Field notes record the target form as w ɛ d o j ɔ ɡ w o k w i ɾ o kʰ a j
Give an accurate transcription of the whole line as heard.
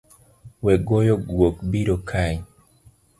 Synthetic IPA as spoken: w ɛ ɡ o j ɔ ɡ w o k b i ɾ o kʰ a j

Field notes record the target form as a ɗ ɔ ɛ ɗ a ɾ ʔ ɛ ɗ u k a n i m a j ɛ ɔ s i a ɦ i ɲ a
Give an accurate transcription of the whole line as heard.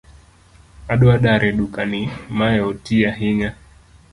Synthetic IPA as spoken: a ɗ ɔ a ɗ a ɾ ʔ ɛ ɗ u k a n i m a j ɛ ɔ t i a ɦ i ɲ a

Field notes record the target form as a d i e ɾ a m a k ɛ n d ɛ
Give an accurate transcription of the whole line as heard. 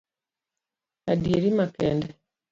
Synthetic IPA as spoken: a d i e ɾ i m a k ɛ n d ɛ

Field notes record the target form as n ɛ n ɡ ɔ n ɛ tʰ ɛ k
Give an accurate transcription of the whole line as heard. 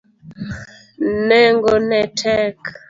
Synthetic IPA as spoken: n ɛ ŋ ɡ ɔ n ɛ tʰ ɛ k

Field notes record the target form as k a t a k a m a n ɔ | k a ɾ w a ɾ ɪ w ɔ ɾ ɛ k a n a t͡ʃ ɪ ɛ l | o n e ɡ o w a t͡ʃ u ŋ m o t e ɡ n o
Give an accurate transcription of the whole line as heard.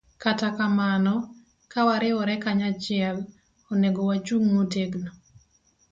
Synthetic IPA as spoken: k a t a k a m a n ɔ | k a w a ɾ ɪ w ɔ ɾ ɛ k a ɲ a t͡ʃ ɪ ɛ l | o n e ɡ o w a t͡ʃ u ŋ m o t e ɡ n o

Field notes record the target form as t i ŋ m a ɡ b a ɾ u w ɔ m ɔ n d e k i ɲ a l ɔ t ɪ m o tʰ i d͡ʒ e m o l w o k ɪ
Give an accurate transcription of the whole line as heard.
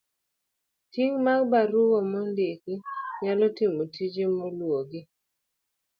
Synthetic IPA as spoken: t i ŋ m a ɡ b a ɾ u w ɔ m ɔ n d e k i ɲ a l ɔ t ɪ m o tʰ i d͡ʒ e m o l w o ɡ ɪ

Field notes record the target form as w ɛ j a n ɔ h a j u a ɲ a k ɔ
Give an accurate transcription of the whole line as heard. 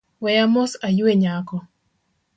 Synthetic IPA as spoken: w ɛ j a m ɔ s a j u e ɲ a k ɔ

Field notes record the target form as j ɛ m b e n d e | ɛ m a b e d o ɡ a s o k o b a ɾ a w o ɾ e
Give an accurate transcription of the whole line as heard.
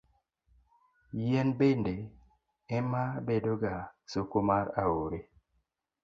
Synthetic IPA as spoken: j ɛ n b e n d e | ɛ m a b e d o ɡ a s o k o m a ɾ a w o ɾ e

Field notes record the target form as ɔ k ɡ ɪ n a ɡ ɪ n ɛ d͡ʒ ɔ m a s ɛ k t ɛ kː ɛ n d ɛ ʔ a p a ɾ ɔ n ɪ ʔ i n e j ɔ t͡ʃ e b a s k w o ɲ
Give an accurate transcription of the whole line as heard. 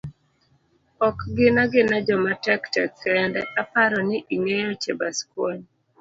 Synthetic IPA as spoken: ɔ k ɡ ɪ n a ɡ ɪ n a d͡ʒ ɔ m a t ɛ k t ɛ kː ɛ n d ɛ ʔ a p a ɾ ɔ n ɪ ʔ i ŋ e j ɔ t͡ʃ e b a s k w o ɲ

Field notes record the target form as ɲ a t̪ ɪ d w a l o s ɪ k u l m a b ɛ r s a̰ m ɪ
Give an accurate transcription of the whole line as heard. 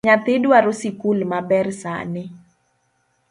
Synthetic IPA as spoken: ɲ a t̪ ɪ d w a ɾ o s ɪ k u l m a b ɛ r s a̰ n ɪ

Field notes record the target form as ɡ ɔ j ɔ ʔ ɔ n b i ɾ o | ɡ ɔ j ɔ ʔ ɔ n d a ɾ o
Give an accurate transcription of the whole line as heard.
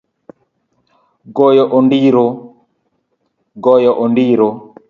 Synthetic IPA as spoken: ɡ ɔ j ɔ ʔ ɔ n d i ɾ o | ɡ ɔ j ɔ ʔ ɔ n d i ɾ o

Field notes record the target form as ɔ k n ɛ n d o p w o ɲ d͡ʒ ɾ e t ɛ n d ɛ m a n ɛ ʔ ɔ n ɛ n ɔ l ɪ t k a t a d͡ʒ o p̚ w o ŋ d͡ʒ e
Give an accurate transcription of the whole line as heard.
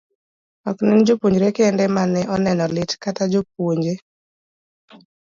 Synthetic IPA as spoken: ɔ k n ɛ n d͡ʒ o p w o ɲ d͡ʒ ɾ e k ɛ n d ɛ m a n ɛ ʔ ɔ n ɛ n ɔ l ɪ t k a t a d͡ʒ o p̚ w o ɲ d͡ʒ e

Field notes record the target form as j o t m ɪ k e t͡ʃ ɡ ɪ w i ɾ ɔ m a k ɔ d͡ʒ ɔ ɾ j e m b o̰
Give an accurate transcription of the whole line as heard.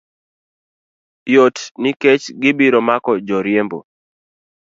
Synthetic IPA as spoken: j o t n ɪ k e t͡ʃ ɡ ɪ b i ɾ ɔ m a k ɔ d͡ʒ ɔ ɾ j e m b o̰

